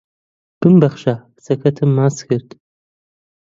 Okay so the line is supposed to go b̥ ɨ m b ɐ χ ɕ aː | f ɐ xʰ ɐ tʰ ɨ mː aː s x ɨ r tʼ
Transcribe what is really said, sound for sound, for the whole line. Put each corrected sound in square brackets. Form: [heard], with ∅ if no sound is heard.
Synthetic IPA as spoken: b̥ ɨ m b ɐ χ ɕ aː | [s] ɐ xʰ ɐ tʰ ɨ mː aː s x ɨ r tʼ

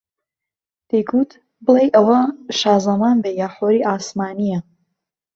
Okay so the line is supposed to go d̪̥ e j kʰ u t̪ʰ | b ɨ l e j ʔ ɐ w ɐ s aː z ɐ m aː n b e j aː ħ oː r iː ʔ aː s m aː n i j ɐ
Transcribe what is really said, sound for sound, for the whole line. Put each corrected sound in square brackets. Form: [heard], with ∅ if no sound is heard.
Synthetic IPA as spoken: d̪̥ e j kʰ u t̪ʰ | b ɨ l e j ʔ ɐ w ɐ [ʃ] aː z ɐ m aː n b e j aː ħ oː [ɾ] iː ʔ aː s m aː n i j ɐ

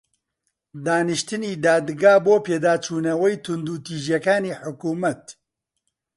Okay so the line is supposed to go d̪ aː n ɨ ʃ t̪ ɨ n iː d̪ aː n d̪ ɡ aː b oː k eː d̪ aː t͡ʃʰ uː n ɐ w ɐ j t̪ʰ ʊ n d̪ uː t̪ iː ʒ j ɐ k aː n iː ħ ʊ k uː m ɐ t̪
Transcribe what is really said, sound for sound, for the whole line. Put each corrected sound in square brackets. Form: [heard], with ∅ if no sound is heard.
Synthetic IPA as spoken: d̪ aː n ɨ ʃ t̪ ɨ n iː d̪ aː [∅] d̪ ɡ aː b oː [p] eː d̪ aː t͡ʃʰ uː n ɐ w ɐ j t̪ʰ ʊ n d̪ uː t̪ iː ʒ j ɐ k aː n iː ħ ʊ k uː m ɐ t̪

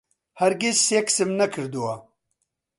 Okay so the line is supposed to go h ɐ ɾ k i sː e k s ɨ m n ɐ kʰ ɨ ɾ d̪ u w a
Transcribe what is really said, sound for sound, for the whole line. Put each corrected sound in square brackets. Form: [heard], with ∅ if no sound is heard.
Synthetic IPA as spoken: h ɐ ɾ [ɡ] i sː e k s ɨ m n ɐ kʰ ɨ ɾ d̪ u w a

